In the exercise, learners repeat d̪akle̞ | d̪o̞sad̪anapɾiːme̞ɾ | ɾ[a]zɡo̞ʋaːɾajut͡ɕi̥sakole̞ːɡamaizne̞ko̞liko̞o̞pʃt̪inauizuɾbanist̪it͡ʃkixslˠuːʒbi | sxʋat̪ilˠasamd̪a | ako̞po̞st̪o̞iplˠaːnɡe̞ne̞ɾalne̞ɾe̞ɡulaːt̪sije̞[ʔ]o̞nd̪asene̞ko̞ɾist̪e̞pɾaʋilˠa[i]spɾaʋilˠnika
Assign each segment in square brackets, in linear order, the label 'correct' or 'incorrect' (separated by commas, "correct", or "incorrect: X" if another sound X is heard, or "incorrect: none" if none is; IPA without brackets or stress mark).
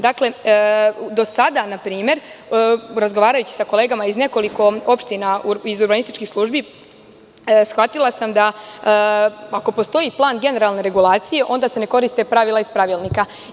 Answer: correct, correct, correct